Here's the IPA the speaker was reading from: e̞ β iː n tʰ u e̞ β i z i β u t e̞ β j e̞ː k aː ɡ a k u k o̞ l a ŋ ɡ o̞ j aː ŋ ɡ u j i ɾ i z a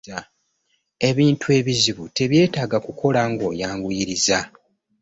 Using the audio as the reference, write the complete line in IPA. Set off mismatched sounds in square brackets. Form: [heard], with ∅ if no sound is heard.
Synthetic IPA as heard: e̞ β iː n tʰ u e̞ β i z i β u t e̞ β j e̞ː [t] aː ɡ a k u k o̞ l a ŋ ɡ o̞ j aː ŋ ɡ u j i ɾ i z a